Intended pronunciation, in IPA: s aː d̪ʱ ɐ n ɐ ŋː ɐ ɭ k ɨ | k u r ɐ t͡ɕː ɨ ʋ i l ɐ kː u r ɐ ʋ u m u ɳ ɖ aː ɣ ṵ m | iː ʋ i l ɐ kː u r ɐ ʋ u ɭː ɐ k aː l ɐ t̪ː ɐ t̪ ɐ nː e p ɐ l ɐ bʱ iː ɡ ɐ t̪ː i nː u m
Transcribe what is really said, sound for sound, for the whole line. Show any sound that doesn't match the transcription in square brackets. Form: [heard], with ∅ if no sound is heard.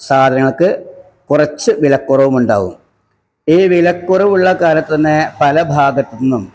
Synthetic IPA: s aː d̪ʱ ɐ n ɐ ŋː ɐ ɭ k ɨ | k u r ɐ t͡ɕː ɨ ʋ i l ɐ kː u r ɐ ʋ u m u ɳ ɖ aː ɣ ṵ m | iː ʋ i l ɐ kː u r ɐ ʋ u ɭː ɐ k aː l ɐ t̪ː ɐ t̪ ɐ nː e p ɐ l ɐ bʱ [aː] ɡ ɐ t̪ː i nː u m